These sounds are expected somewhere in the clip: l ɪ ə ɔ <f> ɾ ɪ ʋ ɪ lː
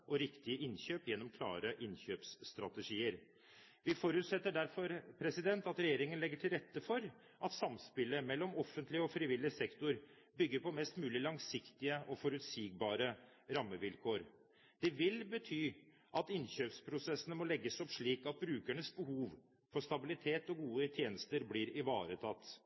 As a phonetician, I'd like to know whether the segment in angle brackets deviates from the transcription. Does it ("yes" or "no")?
no